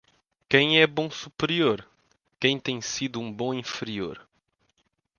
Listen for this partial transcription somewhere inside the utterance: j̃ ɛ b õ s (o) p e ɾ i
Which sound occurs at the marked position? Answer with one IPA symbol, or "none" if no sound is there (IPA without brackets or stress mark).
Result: u